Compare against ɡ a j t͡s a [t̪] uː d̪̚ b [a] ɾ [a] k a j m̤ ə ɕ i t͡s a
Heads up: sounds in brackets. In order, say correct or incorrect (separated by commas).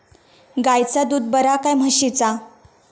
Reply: incorrect, incorrect, correct